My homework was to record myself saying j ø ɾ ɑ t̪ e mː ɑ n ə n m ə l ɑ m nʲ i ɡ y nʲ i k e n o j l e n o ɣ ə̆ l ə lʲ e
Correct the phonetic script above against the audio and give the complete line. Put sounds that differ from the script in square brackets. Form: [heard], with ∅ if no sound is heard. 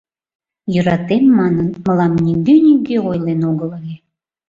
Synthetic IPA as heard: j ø ɾ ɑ t̪ e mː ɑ n ə n m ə l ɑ m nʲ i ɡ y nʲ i [ɡ] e [∅] o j l e n o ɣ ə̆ l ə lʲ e